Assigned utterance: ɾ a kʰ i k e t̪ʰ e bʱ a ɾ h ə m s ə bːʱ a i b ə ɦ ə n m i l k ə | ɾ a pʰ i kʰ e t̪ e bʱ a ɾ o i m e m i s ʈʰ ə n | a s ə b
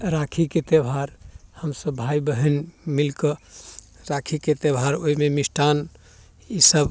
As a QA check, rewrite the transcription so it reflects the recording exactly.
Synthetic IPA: ɾ a kʰ i k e t̪ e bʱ a ɾ h ə m s ə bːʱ a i b ə ɦ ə n m i l k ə | ɾ a kʰ i k e t̪ e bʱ a ɾ o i m e m i s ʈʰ a n | i s ə b